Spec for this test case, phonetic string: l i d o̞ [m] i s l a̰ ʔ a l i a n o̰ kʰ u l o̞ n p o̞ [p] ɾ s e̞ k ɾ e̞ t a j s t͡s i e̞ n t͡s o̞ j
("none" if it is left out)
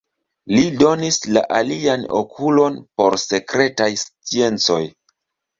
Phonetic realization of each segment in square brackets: n, none

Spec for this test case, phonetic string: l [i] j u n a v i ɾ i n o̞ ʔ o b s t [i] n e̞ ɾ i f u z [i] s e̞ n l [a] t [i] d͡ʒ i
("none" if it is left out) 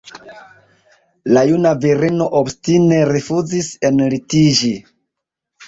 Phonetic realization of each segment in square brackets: a, i, i, i, i

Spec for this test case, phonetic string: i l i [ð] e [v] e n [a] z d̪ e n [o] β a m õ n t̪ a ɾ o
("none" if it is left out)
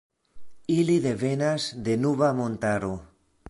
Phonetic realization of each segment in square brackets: ð, β, a, u

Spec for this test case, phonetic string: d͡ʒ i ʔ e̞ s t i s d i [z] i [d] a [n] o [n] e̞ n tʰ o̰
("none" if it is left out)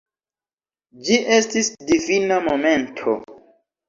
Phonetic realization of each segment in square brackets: v, n, m, m

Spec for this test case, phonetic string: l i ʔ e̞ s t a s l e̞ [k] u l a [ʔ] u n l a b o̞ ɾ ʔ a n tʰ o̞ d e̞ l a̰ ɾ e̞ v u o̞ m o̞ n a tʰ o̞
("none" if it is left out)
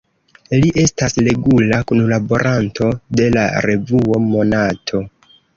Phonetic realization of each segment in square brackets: ɡ, k

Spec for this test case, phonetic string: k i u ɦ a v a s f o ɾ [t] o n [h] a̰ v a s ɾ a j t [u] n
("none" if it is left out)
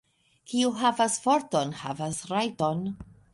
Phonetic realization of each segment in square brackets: t, h, o

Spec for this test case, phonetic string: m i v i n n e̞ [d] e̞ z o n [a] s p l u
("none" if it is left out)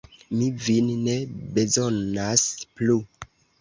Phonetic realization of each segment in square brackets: b, a

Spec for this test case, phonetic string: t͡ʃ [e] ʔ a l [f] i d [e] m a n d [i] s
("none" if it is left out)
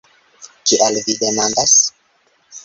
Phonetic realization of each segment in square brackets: i, v, e, a

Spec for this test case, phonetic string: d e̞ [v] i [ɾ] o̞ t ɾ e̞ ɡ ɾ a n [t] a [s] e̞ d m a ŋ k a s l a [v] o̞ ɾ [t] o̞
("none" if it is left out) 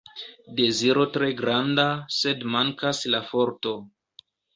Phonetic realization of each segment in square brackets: z, ɾ, d, s, f, t

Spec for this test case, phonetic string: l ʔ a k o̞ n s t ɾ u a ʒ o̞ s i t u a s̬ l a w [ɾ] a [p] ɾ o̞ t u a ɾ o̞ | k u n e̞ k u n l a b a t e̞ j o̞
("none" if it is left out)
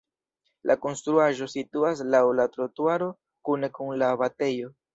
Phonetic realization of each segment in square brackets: l, t

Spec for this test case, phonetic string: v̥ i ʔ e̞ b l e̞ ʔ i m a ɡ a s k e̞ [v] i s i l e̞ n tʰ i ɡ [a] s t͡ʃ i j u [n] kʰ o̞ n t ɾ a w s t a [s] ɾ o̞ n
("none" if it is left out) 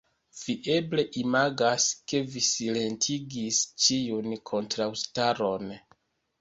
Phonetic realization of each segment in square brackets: v, i, n, none

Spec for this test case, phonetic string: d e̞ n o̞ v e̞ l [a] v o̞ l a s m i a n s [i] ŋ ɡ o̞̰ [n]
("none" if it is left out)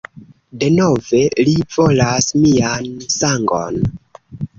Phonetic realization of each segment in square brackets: i, a, n

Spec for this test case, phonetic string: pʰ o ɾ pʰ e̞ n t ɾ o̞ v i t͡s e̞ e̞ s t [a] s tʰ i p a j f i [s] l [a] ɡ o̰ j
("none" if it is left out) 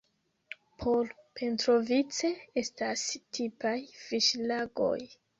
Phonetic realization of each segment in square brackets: a, ʃ, a

